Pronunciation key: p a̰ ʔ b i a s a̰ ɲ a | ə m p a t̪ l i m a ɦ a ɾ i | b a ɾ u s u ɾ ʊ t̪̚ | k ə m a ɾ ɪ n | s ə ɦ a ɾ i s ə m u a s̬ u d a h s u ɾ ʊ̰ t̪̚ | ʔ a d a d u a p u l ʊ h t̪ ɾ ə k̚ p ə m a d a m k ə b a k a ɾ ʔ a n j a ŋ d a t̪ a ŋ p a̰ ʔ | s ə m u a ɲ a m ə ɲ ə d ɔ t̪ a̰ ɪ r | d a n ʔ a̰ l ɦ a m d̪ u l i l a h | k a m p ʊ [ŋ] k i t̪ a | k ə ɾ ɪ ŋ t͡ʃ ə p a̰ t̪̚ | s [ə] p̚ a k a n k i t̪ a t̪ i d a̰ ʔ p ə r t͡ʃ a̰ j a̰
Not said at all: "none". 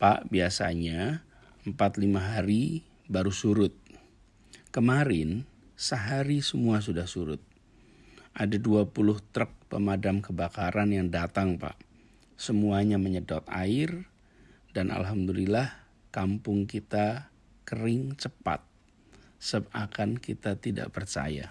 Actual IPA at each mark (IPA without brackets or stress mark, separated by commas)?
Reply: ŋ, ə